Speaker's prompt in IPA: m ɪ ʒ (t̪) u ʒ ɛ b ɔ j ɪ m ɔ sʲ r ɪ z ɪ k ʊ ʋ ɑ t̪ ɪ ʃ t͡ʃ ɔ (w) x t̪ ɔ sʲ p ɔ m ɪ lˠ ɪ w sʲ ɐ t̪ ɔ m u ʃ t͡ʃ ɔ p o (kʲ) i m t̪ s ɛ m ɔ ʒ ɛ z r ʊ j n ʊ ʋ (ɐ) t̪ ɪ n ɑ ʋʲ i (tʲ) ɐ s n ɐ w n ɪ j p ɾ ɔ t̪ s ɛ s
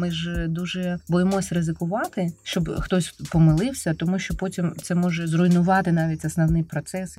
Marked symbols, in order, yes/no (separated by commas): no, no, no, no, yes